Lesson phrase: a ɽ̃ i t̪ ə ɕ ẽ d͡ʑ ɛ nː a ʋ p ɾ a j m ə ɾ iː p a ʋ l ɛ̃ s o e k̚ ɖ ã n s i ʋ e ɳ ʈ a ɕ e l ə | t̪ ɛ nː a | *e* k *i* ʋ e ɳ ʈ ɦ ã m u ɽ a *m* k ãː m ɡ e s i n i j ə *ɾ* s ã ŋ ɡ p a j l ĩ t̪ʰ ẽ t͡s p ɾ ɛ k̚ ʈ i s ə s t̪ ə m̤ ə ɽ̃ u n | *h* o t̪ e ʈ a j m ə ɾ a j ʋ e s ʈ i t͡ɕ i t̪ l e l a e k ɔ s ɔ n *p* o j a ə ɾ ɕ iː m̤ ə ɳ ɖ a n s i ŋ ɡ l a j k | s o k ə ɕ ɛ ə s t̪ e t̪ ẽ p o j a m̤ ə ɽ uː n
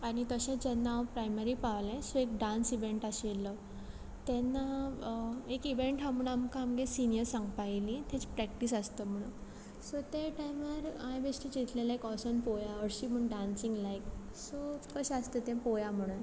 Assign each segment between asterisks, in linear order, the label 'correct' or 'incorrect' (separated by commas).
correct, correct, correct, correct, incorrect, correct